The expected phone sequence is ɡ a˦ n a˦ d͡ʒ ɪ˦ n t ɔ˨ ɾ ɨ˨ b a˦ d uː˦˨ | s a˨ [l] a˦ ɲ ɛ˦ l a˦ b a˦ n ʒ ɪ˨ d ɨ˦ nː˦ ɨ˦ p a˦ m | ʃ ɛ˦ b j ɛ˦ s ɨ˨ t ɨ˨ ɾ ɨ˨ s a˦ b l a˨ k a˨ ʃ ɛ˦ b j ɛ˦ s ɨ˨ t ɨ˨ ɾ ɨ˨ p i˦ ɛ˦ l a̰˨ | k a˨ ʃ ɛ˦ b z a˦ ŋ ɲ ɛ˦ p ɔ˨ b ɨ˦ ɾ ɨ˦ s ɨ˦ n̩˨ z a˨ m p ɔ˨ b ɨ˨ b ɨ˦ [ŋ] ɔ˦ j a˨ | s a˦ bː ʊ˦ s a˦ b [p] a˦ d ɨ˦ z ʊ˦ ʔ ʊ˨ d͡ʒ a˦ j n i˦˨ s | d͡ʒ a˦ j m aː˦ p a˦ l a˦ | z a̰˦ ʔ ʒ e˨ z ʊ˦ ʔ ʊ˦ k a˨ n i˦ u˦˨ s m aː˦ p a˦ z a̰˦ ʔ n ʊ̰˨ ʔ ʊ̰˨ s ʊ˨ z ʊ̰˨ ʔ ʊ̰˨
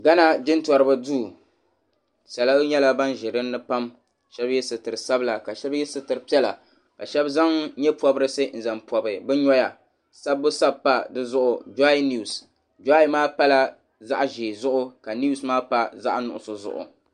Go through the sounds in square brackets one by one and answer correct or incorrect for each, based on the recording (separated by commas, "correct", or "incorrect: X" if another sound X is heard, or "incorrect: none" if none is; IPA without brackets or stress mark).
correct, incorrect: ɲ, correct